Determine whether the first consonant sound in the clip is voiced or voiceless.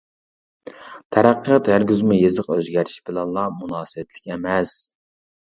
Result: voiceless